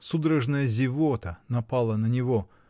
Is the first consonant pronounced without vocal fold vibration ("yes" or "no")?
yes